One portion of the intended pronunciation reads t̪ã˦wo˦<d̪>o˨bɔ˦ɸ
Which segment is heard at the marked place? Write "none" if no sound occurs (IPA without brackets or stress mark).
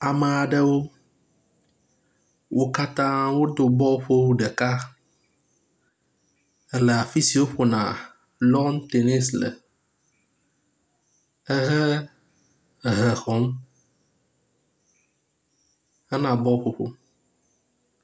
d̪